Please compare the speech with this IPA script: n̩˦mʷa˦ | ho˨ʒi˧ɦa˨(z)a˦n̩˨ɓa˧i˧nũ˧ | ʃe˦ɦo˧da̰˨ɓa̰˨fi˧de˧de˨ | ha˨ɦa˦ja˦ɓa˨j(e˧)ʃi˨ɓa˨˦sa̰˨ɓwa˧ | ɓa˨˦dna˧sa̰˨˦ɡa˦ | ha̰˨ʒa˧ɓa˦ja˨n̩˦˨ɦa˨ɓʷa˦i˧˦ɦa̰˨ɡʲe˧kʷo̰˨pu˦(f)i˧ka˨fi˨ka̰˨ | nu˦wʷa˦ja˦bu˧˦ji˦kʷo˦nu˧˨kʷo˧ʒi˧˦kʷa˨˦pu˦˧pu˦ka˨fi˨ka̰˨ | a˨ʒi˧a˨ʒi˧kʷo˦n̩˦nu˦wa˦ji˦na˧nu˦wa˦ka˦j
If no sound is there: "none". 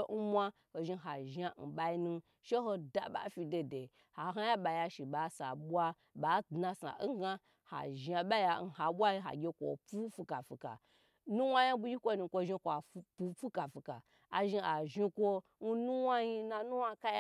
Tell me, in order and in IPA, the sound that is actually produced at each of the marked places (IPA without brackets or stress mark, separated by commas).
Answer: ʒ, a˧, f